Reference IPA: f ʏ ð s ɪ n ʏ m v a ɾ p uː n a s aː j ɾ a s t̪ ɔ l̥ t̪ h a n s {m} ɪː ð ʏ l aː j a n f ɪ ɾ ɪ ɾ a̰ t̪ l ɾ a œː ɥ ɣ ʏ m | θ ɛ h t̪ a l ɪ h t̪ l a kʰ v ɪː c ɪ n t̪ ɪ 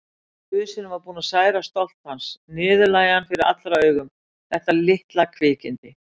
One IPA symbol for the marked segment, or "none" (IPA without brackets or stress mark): n